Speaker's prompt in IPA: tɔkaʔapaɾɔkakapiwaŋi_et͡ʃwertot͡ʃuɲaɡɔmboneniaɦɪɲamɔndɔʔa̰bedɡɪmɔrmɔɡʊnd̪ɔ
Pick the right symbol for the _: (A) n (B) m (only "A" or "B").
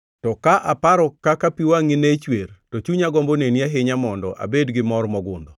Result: A